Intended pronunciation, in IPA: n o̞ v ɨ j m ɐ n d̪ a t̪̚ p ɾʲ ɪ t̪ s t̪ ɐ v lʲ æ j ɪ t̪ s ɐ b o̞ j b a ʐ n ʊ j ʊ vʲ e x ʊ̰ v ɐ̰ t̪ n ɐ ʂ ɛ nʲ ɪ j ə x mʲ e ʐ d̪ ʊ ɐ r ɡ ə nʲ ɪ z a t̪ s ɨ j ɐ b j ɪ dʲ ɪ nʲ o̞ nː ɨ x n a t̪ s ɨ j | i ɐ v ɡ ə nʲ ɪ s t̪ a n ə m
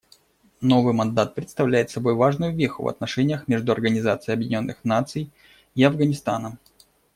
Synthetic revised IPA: n o̞ v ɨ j m ɐ n d̪ a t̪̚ p ɾʲ ɪ t̪ s t̪ ɐ v lʲ æ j ɪ t̪ s ɐ b o̞ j v a ʐ n ʊ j ʊ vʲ e x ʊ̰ v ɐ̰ t̪ n ɐ ʂ ɛ nʲ ɪ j ə x mʲ e ʐ d̪ ʊ ɐ r ɡ ə nʲ ɪ z a t̪ s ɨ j ɐ b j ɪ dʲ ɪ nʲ o̞ nː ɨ x n a t̪ s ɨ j | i ɐ v ɡ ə nʲ ɪ s t̪ a n ə m

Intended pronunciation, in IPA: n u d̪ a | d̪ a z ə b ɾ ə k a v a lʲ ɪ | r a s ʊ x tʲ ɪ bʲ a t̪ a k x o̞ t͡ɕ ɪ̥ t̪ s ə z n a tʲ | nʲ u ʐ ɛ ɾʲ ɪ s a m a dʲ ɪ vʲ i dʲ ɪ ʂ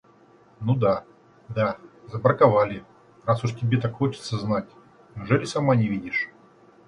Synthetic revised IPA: n u d̪ a | d̪ a z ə b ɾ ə k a v a lʲ ɪ | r a s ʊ ʂ tʲ ɪ bʲ e t̪ a k x o̞ t͡ɕ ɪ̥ t̪ s ə z n a tʲ | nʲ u ʐ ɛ lʲ ɪ s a m a nʲ ɪ vʲ i dʲ ɪ ʂ

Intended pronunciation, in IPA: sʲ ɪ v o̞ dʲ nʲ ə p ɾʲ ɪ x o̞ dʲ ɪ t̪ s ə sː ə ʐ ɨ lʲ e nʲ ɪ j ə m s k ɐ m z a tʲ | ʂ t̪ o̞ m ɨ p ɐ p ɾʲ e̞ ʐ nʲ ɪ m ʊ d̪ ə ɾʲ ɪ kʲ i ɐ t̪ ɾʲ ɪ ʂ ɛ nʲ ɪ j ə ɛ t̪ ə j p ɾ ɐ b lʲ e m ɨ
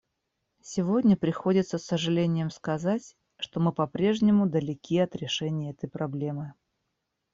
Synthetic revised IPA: sʲ ɪ v o̞ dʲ nʲ ə p ɾʲ ɪ x o̞ dʲ ɪ t̪ s ə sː ə ʐ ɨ lʲ e nʲ ɪ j ə m s k ɐ z a tʲ | ʂ t̪ o̞ m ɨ p ɐ p ɾʲ e̞ ʐ nʲ ɪ m ʊ d̪ ə lʲ ɪ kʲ i ɐ t̪ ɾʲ ɪ ʂ ɛ nʲ ɪ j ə ɛ t̪ ə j p ɾ ɐ b lʲ e m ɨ

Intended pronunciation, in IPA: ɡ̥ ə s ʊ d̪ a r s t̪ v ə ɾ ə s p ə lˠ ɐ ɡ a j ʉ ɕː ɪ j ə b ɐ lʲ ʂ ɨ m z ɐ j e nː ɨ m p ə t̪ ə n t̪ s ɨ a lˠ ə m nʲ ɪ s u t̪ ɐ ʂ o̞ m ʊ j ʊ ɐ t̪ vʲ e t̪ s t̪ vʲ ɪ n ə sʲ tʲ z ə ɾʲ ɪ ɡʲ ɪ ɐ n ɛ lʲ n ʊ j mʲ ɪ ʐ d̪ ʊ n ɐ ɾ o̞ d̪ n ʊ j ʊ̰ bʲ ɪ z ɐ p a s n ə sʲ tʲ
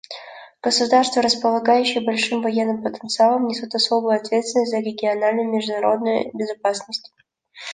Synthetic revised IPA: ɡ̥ ə s ʊ d̪ a r s t̪ v ə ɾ ə s p ə lˠ ɐ ɡ a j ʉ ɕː ɪ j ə b ɐ lʲ ʂ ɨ m v ɐ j e nː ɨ m p ə t̪ ə n t̪ s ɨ a lˠ ə m nʲ ɪ s u t̪ ɐ s o̞ b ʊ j ʊ ɐ t̪ vʲ e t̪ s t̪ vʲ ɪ n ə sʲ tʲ z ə ɾʲ ɪ ɡʲ ɪ ɐ n a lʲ n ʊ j mʲ ɪ ʐ d̪ ʊ n ɐ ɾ o̞ d̪ n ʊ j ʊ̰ bʲ ɪ z ɐ p a s n ə sʲ tʲ

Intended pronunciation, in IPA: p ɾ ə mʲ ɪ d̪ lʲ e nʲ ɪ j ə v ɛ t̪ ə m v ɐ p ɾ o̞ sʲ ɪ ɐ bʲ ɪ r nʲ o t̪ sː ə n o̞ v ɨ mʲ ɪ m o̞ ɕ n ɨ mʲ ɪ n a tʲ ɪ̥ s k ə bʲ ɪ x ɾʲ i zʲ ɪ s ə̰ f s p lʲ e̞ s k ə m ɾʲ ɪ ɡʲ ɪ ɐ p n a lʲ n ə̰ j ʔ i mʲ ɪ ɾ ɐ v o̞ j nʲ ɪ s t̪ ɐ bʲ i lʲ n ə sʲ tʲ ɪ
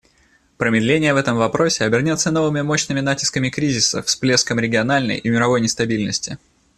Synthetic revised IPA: p ɾ ə mʲ ɪ d̪ lʲ e nʲ ɪ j ə v ɛ t̪ ə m v ɐ p ɾ o̞ sʲ ɪ ɐ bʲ ɪ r nʲ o t̪ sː ə n o̞ v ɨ mʲ ɪ m o̞ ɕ n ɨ mʲ ɪ n a tʲ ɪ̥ s k ə mʲ ɪ k ɾʲ i zʲ ɪ s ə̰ f s p lʲ e̞ s k ə m ɾʲ ɪ ɡʲ ɪ ɐ n a lʲ n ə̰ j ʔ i mʲ ɪ ɾ ɐ v o̞ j nʲ ɪ s t̪ ɐ bʲ i lʲ n ə sʲ tʲ ɪ

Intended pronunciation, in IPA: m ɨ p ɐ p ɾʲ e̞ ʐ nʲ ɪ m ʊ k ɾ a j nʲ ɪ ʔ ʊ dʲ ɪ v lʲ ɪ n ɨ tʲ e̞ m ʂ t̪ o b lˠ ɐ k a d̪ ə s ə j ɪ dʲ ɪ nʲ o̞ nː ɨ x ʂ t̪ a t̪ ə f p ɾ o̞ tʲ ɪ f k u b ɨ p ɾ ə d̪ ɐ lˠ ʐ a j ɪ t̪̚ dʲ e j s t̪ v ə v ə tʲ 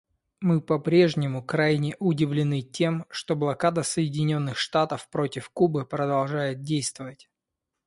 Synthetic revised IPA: m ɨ p ɐ p ɾʲ e̞ ʐ nʲ ɪ m ʊ k ɾ a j nʲ ɪ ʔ ʊ dʲ ɪ v lʲ ɪ n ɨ tʲ e̞ m ʂ t̪ o b lˠ ɐ k a d̪ ə s ə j ɪ dʲ ɪ nʲ o̞ nː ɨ x ʂ t̪ a t̪ ə f p ɾ o̞ tʲ ɪ f k u b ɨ p ɾ ə d̪ ɐ lˠ ʐ a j ɪ t̪̚ dʲ e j s t̪ v ə v ə tʲ

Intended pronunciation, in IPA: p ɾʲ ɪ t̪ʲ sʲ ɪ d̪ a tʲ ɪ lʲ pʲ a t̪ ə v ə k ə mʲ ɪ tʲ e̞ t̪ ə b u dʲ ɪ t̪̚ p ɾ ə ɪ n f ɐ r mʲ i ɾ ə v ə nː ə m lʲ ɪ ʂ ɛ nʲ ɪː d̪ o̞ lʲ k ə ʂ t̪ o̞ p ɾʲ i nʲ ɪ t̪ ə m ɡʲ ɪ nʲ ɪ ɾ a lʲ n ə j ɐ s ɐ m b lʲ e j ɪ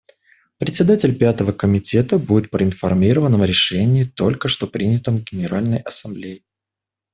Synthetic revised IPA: p ɾʲ ɪ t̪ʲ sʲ ɪ d̪ a tʲ ɪ lʲ pʲ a t̪ ə v ə k ə mʲ ɪ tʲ e̞ t̪ ə b u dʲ ɪ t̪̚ p ɾ ə ɪ n f ɐ r mʲ i ɾ ə v ə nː ə m ɾʲ ɪ ʂ ɛ nʲ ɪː t̪ o̞ lʲ k ə ʂ t̪ o̞ p ɾʲ i nʲ ɪ t̪ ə m ɡʲ ɪ nʲ ɪ ɾ a lʲ n ə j ɐ s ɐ m b lʲ e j ɪ

